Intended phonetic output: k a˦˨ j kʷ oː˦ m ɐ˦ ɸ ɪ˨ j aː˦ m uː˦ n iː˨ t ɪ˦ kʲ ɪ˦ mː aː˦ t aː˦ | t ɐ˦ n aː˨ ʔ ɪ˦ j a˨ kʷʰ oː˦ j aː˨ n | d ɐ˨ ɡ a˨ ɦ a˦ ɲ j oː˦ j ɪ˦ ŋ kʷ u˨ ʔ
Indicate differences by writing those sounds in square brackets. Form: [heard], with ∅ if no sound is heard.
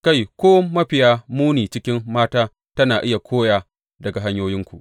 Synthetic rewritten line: k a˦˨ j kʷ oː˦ m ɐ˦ ɸ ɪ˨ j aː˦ m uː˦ n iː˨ [t͡ʃ] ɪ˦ kʲ ɪ˦ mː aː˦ t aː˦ | t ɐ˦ n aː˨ ʔ ɪ˦ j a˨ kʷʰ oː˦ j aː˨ [∅] | d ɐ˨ ɡ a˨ ɦ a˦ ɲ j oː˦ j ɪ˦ ŋ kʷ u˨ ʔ